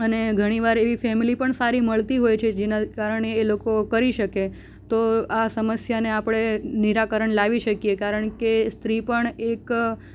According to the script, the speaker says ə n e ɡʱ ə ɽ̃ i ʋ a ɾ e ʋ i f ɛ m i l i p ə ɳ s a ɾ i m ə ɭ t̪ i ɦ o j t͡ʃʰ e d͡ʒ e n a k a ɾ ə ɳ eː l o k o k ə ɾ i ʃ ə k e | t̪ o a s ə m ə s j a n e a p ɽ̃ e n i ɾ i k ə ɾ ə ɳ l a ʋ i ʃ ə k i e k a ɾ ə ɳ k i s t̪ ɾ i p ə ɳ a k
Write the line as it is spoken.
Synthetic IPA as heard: ə n e ɡʱ ə ɽ̃ i ʋ a ɾ e ʋ i f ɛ m i l i p ə ɳ s a ɾ i m ə ɭ t̪ i ɦ o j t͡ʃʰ e d͡ʒ e n a k a ɾ ə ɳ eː l o k o k ə ɾ i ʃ ə k e | t̪ o a s ə m ə s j a n e a p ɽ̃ e n i ɾ a k ə ɾ ə ɳ l a ʋ i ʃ ə k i e k a ɾ ə ɳ k e s t̪ ɾ i p ə ɳ e k